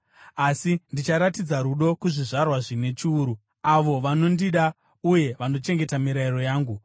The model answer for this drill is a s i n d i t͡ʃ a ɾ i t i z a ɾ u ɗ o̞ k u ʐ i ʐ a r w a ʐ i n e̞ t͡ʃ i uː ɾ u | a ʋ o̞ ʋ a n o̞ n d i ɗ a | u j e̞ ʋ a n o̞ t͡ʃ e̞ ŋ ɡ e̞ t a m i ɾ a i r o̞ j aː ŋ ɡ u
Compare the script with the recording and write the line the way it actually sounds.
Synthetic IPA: a s i n d i t͡ʃ a ɾ a t i d͡z a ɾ u ɗ o̞ k u ʐ i ʐ a r w a ʐ i n e̞ t͡ʃ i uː ɾ u | a ʋ o̞ ʋ a n o̞ n d i ɗ a | u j e̞ ʋ a n o̞ t͡ʃ e̞ ŋ ɡ e̞ t a m i ɾ a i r o̞ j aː ŋ ɡ u